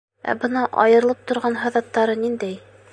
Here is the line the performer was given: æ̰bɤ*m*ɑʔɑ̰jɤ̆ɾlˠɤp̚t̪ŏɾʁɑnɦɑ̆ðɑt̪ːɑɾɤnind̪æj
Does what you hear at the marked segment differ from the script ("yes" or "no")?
yes